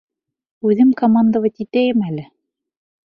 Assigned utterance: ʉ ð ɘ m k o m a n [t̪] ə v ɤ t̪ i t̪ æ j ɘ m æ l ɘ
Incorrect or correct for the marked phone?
incorrect: d̪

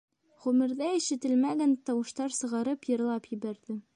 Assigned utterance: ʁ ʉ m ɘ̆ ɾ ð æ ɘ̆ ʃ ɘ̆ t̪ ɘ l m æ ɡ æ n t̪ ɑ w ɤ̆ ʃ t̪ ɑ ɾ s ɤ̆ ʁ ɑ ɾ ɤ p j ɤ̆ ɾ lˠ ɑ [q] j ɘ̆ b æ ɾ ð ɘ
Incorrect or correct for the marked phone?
incorrect: p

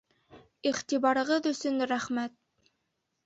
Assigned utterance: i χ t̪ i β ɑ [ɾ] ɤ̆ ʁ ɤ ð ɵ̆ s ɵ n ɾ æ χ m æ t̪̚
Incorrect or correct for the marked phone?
correct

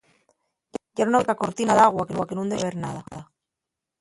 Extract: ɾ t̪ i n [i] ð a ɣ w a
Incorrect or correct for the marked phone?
incorrect: a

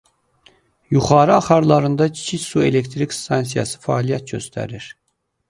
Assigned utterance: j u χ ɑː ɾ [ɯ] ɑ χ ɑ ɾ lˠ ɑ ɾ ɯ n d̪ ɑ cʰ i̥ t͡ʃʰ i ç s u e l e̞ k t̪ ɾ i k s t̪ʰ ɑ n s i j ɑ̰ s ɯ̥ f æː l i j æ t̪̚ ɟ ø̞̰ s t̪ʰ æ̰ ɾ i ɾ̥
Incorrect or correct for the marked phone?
correct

